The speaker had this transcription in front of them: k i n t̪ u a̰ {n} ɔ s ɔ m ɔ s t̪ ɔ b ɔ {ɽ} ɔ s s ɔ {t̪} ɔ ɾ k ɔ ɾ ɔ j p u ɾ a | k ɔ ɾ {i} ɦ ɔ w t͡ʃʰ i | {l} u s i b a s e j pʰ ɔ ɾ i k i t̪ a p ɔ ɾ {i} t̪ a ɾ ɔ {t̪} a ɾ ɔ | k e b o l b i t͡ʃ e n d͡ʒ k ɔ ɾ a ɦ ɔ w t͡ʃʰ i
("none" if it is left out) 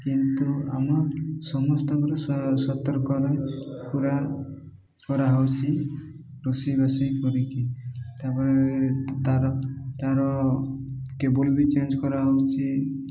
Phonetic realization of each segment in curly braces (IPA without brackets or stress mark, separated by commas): m, ɾ, t̪, a, ɾ, e, t̪